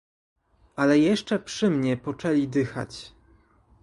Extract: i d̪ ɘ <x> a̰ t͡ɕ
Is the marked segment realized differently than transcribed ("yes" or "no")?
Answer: no